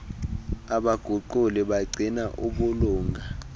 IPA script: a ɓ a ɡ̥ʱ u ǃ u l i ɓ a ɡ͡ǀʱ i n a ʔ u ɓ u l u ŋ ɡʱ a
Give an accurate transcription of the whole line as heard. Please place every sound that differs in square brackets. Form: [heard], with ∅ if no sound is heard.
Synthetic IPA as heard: a ɓ a ɡ̥ʱ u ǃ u l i ɓ a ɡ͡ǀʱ i n a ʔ u ɓ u l [uː] ŋ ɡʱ a